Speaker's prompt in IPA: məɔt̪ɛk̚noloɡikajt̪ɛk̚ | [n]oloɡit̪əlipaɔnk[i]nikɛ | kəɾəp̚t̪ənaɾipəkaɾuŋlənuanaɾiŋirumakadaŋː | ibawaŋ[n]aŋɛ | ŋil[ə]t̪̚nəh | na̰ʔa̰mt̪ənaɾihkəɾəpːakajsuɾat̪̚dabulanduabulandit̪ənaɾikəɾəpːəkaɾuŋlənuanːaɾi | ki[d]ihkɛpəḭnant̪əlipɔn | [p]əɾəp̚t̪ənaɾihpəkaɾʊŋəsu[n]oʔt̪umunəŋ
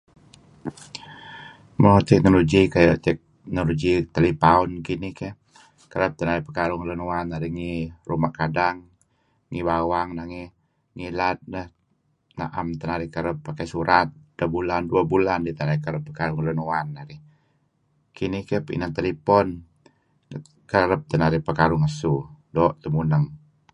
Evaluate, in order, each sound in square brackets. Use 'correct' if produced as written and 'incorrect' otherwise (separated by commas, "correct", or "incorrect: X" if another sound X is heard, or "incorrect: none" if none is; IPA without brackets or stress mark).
correct, correct, correct, incorrect: a, incorrect: n, incorrect: k, incorrect: d